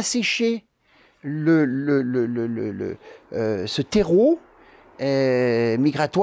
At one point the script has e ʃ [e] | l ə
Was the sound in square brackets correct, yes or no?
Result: yes